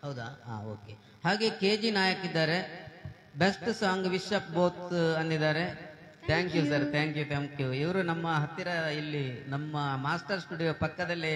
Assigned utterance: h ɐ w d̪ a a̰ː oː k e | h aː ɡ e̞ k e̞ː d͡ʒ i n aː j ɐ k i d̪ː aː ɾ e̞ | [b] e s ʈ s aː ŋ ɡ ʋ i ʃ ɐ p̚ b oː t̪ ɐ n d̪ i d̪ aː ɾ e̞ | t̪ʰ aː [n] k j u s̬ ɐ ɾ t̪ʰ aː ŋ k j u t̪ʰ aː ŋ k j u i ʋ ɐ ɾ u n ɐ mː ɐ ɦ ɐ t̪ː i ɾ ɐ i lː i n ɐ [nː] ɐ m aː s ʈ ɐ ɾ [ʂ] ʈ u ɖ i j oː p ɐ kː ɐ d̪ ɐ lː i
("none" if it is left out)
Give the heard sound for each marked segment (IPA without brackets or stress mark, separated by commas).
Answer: b, ŋ, mː, s